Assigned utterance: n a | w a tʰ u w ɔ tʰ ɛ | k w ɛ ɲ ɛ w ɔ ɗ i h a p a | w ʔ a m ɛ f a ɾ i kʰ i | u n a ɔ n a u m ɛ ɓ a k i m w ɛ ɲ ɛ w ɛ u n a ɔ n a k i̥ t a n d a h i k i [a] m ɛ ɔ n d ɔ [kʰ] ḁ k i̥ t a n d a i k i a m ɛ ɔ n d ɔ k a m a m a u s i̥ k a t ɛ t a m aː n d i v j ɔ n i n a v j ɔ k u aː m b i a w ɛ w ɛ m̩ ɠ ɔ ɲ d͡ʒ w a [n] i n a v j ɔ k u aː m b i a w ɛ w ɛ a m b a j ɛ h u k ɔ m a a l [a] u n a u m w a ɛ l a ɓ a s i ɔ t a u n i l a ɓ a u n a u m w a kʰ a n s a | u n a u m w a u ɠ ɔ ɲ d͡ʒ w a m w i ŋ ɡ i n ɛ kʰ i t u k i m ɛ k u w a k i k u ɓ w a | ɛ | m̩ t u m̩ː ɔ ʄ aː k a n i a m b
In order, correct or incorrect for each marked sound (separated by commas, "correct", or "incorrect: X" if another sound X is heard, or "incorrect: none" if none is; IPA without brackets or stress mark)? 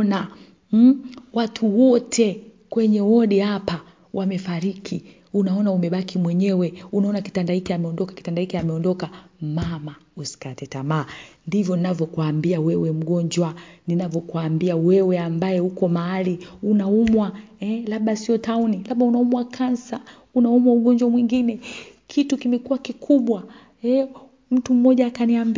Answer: correct, incorrect: k, correct, incorrect: i